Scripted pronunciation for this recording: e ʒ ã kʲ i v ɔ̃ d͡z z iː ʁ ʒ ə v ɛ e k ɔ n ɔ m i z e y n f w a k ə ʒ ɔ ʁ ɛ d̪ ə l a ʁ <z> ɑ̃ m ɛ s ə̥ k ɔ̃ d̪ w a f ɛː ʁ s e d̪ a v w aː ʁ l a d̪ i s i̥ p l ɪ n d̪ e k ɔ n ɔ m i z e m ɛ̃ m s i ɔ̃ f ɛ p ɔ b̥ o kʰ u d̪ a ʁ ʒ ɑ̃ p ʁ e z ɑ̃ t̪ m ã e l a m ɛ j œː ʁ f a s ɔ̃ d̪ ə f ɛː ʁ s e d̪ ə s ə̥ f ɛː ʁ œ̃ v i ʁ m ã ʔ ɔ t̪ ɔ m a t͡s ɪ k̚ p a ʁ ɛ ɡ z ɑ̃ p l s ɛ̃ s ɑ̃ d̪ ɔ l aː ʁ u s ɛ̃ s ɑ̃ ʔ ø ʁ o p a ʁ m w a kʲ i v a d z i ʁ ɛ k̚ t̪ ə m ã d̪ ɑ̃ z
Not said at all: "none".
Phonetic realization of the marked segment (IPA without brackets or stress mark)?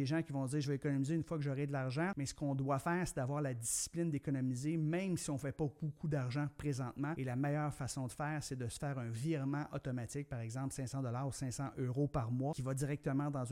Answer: ʒ